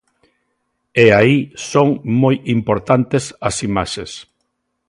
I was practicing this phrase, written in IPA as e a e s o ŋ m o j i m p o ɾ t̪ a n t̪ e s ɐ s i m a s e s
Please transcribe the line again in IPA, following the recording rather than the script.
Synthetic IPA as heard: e a i s o ŋ m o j i m p o ɾ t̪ a n t̪ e s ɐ s i m a ʃ e s